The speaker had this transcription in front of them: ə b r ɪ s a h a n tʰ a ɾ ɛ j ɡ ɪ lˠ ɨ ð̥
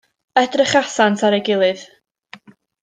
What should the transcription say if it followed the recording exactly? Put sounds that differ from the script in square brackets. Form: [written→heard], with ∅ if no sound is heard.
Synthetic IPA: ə [b→d] r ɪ [s→χ] a [h→s] a n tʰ a ɾ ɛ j ɡ ɪ lˠ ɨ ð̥